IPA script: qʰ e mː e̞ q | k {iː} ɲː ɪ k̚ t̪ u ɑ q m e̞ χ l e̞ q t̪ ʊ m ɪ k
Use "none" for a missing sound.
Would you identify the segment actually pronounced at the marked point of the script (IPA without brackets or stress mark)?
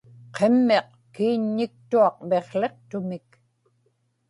iː